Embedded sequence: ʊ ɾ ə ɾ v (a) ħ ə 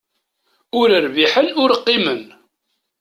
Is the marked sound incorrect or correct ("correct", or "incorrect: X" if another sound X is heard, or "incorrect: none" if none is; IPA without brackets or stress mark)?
incorrect: i